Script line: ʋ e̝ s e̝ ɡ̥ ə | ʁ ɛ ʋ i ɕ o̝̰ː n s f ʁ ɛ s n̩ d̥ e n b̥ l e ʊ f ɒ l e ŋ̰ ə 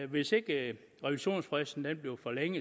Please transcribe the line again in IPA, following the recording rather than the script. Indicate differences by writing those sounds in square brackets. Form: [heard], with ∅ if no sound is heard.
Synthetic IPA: ʋ e̝ s e̝ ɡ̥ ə | ʁ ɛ ʋ i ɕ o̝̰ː n s f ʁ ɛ s n̩ d̥ e n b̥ l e ʊ f ɒ l e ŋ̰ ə